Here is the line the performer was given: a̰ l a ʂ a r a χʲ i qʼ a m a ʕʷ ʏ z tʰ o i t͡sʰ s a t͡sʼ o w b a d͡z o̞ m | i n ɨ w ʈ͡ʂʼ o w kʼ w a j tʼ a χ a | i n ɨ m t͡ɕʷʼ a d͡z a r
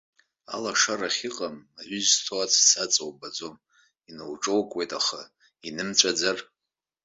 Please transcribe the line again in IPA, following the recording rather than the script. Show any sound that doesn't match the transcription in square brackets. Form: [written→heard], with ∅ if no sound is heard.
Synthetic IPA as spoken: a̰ l a ʂ a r a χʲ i qʼ a m a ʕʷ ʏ z tʰ o [i→a] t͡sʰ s a t͡sʼ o w b a d͡z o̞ m | i n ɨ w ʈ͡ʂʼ o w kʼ w [a→e] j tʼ a χ a | i n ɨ m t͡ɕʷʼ a d͡z a r